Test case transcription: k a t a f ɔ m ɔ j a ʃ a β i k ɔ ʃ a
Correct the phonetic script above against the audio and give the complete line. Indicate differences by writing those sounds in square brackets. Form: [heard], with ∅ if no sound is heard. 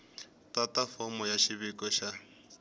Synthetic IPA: [t] a t a f ɔ m ɔ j a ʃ [i] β i k ɔ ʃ a